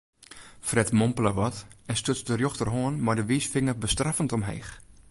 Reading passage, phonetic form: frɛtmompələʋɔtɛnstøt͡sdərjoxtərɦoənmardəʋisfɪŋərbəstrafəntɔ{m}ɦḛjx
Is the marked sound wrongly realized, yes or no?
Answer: no